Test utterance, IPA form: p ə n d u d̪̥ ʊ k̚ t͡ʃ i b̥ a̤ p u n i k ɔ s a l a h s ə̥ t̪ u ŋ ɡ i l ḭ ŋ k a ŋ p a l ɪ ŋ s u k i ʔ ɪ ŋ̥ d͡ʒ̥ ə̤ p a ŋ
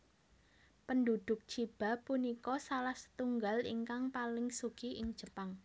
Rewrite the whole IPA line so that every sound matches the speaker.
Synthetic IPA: p ə n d u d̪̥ ʊ k̚ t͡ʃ i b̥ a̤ p u n i k ɔ s a l a h s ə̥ t̪ u ŋ ɡ a l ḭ ŋ k a ŋ p a l ɪ ŋ s u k i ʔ ɪ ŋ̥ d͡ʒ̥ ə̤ p a ŋ

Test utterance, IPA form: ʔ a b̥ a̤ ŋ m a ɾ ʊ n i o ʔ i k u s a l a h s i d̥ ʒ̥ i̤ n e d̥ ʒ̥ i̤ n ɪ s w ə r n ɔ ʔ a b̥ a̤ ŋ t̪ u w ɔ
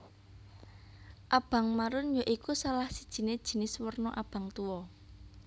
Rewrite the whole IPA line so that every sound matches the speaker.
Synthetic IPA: ʔ a b̥ a̤ ŋ m a ɾ ʊ n j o ʔ i k u s a l a h s i d̥ ʒ̥ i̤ n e d̥ ʒ̥ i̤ n ɪ s w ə r n ɔ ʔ a b̥ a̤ ŋ t̪ u w ɔ

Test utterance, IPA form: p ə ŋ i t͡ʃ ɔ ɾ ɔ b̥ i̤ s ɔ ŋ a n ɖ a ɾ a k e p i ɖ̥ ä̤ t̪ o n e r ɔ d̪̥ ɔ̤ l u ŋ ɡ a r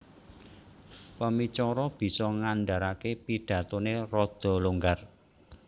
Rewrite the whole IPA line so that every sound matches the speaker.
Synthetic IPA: p ə m i t͡ʃ ɔ ɾ ɔ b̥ i̤ s ɔ ŋ a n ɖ a ɾ a k e p i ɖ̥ ä̤ t̪ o n e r ɔ d̪̥ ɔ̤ l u ŋ ɡ a r

